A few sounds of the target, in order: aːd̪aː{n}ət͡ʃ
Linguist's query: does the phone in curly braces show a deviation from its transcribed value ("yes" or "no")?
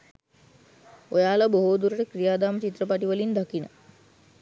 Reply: yes